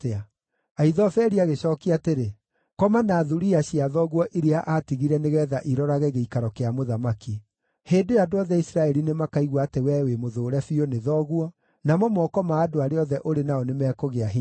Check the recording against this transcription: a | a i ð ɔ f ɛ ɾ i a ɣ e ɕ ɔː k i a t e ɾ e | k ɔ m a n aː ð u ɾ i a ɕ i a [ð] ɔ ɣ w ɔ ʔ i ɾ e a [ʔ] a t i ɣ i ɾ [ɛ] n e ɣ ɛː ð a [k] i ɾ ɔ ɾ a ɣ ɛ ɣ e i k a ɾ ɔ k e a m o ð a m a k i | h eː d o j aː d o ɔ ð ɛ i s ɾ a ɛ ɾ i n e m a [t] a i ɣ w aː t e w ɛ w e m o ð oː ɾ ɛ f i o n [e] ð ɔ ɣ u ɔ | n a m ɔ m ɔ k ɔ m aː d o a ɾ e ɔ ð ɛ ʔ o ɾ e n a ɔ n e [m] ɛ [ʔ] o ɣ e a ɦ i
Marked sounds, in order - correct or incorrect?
correct, correct, correct, incorrect, incorrect, correct, correct, incorrect

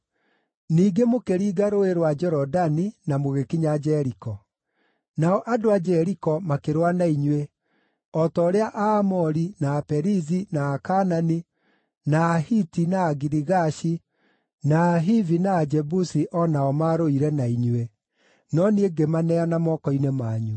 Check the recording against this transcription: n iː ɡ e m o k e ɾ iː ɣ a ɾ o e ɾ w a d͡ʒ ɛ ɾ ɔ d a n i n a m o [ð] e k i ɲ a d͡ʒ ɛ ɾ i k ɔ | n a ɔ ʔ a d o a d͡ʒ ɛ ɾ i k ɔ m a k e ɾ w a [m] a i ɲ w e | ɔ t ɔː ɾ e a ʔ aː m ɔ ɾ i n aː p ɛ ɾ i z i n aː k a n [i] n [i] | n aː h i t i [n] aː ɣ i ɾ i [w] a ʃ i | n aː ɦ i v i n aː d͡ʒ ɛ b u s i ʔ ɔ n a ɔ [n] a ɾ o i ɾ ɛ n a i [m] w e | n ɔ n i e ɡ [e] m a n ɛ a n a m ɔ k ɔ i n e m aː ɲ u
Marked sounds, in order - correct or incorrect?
incorrect, incorrect, incorrect, correct, correct, incorrect, incorrect, incorrect, correct

